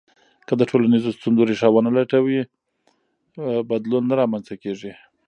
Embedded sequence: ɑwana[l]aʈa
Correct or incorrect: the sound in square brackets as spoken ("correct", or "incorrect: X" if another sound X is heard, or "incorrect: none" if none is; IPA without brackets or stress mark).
correct